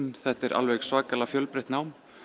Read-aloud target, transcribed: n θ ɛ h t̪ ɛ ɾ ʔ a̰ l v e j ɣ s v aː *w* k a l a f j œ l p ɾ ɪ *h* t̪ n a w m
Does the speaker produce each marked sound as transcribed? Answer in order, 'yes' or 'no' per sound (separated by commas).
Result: no, yes